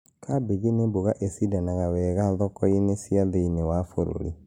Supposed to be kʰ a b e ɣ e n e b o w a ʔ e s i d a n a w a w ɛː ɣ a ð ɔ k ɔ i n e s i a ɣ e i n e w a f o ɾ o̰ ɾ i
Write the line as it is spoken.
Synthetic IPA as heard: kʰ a b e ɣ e n e b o ɣ a ʔ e s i d a n a ɣ a w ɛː ɣ a ð ɔ k ɔ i n e s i a ð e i n e w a f o ɾ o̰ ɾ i